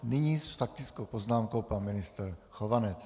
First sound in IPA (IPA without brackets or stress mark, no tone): n